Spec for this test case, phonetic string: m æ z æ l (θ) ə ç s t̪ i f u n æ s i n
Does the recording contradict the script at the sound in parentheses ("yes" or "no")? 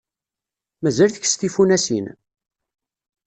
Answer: no